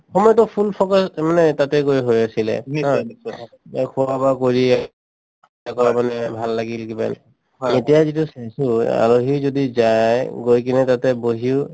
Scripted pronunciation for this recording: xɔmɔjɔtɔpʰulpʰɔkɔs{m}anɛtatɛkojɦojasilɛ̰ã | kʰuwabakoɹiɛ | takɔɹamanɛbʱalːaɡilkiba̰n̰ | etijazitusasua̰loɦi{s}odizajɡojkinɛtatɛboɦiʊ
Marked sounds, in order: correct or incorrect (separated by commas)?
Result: correct, incorrect